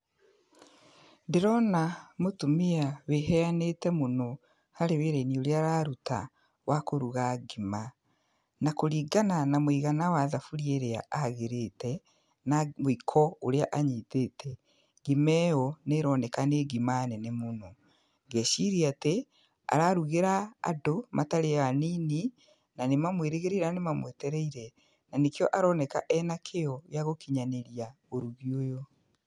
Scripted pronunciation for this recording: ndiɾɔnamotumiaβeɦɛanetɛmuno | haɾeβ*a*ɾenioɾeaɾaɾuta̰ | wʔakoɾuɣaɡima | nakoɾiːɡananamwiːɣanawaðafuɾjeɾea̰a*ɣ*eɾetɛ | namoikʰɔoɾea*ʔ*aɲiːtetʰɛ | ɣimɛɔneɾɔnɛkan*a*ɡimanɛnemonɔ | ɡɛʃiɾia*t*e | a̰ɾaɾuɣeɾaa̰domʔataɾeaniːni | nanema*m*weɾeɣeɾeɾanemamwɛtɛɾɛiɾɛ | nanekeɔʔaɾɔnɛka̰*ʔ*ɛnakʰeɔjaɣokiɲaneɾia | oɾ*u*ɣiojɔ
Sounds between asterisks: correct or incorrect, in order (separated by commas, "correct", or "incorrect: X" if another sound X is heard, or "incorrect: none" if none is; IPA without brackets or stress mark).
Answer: incorrect: e, correct, correct, incorrect: e, correct, correct, correct, correct